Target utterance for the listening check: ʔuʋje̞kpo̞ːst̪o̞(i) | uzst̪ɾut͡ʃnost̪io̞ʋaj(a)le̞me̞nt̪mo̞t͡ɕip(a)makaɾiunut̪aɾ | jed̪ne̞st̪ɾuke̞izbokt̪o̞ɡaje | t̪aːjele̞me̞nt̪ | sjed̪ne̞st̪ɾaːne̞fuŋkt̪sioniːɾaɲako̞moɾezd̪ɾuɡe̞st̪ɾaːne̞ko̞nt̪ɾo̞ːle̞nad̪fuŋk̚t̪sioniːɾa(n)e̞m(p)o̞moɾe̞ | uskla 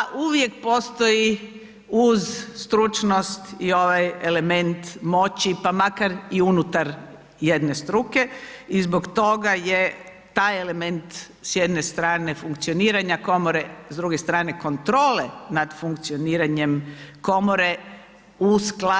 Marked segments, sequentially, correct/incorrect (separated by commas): correct, incorrect, correct, incorrect, incorrect